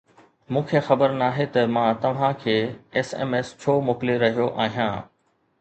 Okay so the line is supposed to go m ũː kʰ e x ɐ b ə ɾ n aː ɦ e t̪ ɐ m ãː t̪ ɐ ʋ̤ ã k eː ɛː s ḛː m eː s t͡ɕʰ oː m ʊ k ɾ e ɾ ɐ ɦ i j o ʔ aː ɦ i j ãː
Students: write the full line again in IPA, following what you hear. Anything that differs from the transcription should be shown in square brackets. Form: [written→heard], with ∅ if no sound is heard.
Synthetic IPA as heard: m ũː kʰ e x ɐ b ə ɾ n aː ɦ e t̪ ɐ m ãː t̪ ɐ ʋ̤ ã [k→kʰ] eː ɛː s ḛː m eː s t͡ɕʰ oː m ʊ k [ɾ→l] e ɾ ɐ ɦ i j o ʔ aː ɦ i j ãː